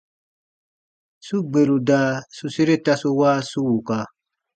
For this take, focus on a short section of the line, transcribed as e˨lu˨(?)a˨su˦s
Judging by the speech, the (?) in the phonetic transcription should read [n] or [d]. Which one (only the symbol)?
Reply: d